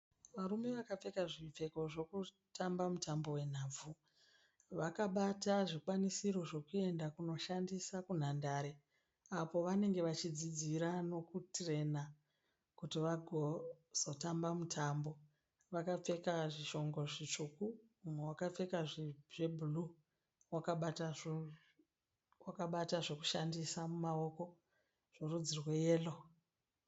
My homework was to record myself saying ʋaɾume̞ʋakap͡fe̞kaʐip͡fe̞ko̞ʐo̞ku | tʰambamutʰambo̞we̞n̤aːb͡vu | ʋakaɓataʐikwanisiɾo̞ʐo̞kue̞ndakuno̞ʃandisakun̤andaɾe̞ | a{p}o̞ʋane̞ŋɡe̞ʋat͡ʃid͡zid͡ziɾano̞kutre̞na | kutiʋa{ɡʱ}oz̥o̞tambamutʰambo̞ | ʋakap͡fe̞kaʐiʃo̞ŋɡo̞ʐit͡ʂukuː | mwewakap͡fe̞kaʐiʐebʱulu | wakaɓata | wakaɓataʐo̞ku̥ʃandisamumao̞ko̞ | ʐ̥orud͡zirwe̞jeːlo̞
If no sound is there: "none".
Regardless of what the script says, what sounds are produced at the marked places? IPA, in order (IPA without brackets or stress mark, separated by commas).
p, ɡʱ